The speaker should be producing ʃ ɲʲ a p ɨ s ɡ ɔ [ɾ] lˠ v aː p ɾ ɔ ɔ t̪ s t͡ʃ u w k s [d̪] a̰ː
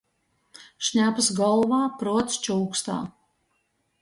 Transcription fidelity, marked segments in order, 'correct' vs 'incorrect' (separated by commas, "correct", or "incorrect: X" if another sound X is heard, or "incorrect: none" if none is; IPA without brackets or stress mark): incorrect: none, incorrect: t̪